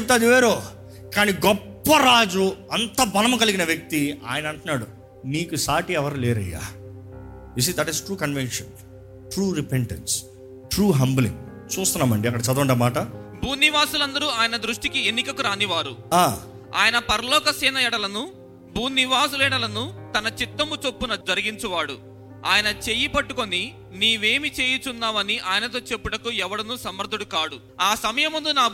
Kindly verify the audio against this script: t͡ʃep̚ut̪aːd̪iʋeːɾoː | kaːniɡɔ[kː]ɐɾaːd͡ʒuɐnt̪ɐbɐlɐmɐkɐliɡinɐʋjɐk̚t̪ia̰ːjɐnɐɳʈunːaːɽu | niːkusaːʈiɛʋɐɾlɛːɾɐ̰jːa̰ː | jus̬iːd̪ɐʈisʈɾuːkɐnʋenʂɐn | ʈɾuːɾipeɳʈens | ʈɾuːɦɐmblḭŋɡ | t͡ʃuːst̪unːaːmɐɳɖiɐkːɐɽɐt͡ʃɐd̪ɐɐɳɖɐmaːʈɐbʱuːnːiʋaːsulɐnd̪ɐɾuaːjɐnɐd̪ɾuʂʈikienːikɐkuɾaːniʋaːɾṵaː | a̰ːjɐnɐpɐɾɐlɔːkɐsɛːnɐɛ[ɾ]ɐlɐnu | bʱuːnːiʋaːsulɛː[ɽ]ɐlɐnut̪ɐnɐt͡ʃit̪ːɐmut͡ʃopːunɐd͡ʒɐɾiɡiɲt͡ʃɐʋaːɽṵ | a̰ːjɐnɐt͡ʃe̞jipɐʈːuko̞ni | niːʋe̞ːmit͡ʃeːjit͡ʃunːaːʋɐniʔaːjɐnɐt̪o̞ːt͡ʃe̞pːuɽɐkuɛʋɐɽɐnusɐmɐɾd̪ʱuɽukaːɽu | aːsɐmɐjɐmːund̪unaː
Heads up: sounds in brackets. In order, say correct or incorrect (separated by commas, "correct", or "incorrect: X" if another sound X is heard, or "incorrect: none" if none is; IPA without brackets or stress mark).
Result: incorrect: pː, incorrect: ɽ, correct